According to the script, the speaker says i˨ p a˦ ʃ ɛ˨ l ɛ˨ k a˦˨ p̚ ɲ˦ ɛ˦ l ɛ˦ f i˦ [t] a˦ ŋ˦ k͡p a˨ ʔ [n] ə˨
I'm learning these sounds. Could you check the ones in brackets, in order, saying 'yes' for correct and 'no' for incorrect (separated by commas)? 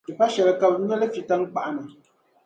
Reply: yes, yes